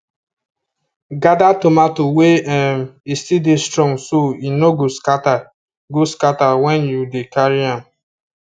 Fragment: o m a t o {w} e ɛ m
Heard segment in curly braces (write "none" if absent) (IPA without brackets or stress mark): w